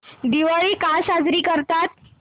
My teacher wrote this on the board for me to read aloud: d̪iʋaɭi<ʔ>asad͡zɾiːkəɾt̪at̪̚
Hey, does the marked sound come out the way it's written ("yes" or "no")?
no